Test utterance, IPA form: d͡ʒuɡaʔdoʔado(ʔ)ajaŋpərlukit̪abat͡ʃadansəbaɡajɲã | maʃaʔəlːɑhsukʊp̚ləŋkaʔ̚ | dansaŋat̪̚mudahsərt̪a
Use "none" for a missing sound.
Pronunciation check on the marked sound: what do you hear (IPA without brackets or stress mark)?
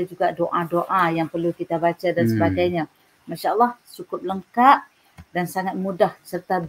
ʔ